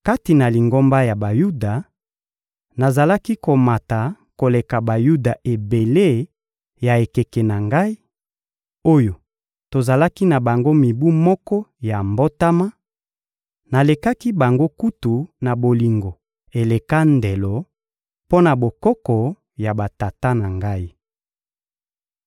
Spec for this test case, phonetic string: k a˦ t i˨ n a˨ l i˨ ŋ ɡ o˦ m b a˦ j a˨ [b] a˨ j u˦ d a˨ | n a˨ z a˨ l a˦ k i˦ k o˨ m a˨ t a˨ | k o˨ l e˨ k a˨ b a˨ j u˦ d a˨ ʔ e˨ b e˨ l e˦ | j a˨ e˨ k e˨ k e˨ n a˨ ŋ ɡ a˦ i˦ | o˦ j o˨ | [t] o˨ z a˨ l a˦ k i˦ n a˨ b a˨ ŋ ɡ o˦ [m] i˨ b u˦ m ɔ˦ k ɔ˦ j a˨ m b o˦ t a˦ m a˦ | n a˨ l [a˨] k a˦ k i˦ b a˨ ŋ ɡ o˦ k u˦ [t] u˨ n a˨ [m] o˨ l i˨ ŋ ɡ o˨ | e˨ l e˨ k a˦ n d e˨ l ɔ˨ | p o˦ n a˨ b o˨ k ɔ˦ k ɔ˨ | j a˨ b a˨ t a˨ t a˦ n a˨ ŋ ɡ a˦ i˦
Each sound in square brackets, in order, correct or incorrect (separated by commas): correct, correct, correct, incorrect, correct, incorrect